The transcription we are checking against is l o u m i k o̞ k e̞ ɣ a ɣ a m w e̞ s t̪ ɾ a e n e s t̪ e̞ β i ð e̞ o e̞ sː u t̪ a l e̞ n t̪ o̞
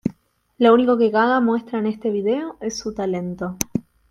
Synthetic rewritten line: l o u n i k o̞ k e̞ ɣ a ɣ a m w e̞ s t̪ ɾ a e n e s t̪ e̞ β i ð e̞ o e̞ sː u t̪ a l e̞ n t̪ o̞